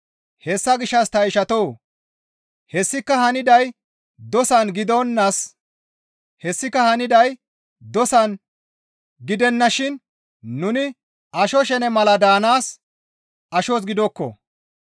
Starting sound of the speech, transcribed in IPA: h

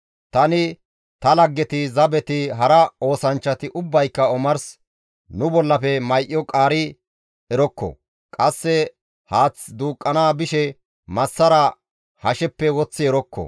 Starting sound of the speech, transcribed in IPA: t̪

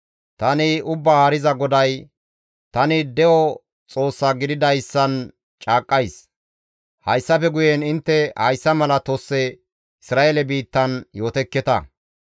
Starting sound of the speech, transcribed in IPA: t̪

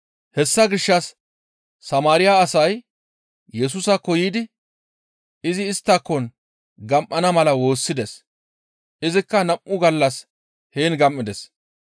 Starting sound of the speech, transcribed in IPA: h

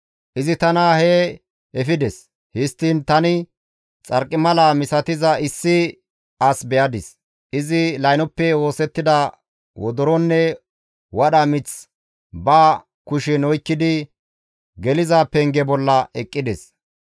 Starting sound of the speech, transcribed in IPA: ʔ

